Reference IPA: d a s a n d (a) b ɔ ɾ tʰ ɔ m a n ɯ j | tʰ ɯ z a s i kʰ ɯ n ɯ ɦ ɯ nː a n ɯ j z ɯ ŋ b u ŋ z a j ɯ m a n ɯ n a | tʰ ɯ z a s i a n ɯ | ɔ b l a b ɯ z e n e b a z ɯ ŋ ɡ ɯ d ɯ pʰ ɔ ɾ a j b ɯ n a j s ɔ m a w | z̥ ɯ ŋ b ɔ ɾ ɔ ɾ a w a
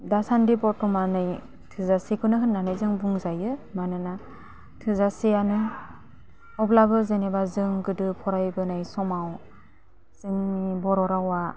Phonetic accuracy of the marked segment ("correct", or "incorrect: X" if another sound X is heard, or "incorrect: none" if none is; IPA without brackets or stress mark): incorrect: i